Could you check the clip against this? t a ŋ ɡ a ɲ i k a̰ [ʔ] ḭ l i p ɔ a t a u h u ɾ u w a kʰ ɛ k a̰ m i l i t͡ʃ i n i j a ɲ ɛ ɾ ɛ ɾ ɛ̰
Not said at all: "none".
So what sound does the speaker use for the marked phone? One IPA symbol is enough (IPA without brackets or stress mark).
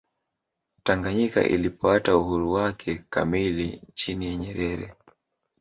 ʔ